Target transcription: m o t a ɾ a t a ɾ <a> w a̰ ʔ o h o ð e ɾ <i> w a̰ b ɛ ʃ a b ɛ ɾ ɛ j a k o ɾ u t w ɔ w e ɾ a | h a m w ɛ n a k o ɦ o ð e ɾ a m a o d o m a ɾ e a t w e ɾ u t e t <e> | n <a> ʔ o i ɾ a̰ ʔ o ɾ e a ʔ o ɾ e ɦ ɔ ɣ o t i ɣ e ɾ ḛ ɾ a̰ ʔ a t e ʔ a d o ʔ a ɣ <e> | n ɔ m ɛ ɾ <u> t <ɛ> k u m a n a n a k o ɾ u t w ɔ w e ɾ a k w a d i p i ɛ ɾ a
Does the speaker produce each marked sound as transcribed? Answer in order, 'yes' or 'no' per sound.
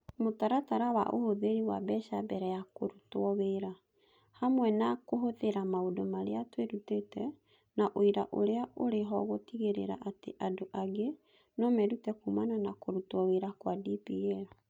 yes, yes, no, yes, yes, yes, yes

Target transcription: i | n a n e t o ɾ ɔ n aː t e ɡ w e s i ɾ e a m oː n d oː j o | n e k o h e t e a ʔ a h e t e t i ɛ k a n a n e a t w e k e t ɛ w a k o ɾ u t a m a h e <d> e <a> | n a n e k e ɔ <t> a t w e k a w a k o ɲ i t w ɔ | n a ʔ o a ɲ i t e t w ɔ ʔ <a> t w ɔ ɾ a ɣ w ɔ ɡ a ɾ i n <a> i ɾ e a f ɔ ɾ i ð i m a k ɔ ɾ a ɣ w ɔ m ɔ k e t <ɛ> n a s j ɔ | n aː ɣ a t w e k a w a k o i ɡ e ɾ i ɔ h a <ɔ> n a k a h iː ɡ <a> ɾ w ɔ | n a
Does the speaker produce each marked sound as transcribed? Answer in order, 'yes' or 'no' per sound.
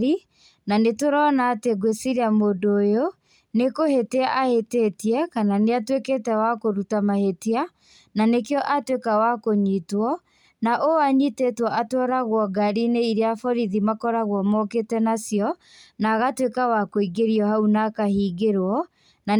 no, yes, no, yes, no, yes, no, no

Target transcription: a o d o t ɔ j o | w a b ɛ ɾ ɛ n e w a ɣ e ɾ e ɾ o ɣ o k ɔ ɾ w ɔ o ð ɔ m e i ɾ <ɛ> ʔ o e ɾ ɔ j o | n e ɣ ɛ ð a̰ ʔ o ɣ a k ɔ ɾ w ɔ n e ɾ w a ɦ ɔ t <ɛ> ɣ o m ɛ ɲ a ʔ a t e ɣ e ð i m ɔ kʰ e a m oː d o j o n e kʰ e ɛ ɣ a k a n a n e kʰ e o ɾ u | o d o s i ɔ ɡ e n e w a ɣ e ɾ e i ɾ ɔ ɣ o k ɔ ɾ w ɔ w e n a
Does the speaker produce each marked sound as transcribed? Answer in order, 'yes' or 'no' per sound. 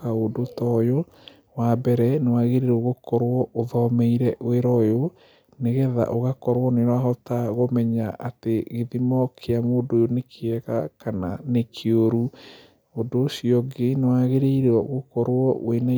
yes, no

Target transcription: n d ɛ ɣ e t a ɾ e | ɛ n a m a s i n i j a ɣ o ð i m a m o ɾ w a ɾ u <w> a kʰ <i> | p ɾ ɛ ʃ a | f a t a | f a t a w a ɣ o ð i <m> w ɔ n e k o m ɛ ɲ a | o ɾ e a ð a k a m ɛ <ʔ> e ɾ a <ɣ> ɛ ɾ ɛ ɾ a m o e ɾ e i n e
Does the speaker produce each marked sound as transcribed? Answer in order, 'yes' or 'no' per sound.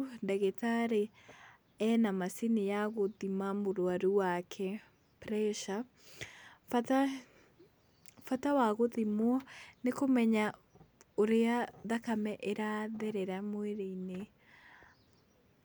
yes, no, yes, yes, no

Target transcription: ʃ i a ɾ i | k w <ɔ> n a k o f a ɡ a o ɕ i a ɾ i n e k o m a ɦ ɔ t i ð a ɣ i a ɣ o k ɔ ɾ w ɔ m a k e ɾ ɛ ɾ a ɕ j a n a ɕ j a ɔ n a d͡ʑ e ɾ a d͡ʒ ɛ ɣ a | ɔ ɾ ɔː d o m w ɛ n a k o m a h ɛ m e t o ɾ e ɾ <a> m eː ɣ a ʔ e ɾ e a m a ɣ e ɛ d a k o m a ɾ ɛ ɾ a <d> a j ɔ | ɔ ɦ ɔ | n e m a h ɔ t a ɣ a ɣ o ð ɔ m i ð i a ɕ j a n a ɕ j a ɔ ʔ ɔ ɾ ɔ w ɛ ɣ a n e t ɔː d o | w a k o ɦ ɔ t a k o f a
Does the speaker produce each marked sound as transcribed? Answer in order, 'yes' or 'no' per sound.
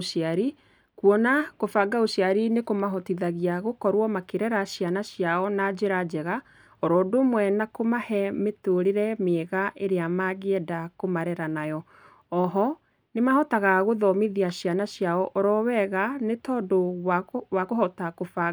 yes, no, no

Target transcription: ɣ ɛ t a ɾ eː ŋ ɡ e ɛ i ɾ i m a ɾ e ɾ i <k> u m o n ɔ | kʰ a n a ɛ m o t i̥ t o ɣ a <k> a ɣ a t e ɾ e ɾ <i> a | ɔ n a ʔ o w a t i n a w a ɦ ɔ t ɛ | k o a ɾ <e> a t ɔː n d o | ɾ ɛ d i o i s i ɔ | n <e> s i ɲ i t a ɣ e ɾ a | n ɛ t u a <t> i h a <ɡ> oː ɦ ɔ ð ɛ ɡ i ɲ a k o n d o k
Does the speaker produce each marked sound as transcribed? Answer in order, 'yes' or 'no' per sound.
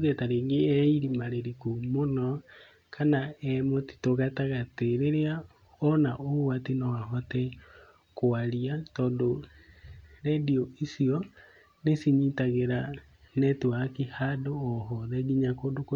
yes, no, no, no, yes, no, no

